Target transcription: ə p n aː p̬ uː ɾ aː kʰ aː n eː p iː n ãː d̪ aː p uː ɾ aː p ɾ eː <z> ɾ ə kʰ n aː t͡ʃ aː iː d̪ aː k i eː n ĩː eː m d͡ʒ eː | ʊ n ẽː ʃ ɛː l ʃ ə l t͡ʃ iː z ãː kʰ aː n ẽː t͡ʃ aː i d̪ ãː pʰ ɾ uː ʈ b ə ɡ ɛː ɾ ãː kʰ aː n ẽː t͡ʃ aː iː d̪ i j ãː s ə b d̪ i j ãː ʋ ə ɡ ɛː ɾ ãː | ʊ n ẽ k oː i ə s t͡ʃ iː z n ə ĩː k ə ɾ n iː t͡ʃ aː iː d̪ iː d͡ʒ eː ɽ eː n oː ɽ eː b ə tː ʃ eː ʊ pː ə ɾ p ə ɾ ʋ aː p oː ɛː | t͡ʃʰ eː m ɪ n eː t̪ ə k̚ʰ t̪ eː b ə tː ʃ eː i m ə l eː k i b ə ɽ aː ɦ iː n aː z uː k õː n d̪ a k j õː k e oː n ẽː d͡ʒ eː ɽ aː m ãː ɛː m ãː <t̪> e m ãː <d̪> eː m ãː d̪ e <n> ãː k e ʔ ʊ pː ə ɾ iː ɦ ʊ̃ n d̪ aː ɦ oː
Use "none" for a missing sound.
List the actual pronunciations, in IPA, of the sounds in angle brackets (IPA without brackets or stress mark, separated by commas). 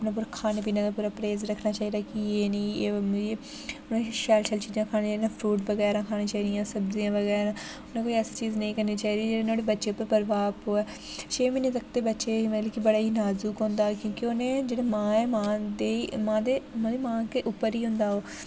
z, d̪, d̪, m